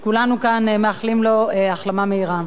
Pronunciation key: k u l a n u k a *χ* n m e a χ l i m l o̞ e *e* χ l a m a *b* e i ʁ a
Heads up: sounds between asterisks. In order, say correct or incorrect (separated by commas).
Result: incorrect, incorrect, incorrect